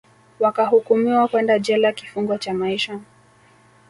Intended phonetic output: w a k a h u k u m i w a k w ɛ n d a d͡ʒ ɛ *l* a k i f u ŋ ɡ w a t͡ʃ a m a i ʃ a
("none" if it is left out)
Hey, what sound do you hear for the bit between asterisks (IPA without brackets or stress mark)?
l